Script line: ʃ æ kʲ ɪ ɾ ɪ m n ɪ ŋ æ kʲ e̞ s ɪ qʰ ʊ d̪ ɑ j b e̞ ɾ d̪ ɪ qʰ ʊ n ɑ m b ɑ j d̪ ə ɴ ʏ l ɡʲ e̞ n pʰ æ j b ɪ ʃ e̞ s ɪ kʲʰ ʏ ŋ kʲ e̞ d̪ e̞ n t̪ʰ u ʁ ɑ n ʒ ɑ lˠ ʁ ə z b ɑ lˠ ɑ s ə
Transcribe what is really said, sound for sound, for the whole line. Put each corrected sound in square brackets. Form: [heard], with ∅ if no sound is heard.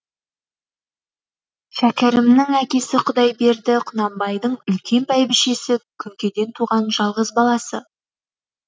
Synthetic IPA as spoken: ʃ æ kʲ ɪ ɾ ɪ m n ɪ ŋ æ kʲ e̞ s ɪ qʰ ʊ d̪ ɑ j b e̞ ɾ d̪ ɪ qʰ ʊ n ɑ m b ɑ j d̪ ə ɴ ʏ l [kʲ] e̞ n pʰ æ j b ɪ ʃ e̞ s ɪ kʲʰ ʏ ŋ kʲ e̞ d̪ e̞ n t̪ʰ u ʁ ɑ n ʒ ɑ lˠ ʁ ə z b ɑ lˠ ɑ s ə